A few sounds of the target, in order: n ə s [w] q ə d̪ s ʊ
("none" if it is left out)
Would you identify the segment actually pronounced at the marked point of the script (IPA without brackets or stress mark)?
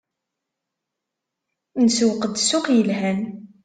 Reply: w